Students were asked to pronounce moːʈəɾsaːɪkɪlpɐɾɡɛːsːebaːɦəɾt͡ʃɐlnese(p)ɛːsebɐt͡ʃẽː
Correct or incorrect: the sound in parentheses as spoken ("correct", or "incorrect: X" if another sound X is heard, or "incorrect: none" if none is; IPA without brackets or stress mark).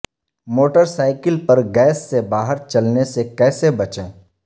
incorrect: k